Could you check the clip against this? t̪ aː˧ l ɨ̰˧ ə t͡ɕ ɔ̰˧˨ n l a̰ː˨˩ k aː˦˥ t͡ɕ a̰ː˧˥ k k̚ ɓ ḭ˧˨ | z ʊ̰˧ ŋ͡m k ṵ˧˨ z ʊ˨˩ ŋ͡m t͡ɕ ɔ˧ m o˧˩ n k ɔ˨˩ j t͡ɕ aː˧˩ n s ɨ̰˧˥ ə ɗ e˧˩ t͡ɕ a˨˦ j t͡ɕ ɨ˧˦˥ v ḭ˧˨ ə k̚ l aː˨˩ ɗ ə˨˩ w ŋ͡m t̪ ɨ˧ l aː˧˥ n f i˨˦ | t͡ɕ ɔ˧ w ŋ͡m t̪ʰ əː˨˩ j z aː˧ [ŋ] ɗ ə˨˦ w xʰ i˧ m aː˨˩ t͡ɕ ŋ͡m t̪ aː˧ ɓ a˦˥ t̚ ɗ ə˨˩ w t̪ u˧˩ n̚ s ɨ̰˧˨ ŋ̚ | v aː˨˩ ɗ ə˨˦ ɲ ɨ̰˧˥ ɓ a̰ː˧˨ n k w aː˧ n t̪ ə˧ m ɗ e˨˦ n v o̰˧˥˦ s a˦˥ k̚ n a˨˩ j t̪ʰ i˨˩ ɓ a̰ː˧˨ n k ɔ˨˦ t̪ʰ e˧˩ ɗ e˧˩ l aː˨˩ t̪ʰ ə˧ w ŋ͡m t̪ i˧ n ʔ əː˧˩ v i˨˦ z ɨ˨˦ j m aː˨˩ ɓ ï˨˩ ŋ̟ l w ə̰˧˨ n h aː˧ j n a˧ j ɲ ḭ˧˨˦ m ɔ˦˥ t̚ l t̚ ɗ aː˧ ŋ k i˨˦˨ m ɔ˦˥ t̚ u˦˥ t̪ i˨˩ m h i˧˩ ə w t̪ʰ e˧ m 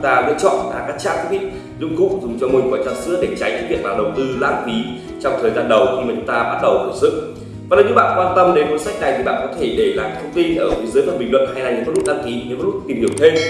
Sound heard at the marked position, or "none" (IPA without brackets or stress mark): n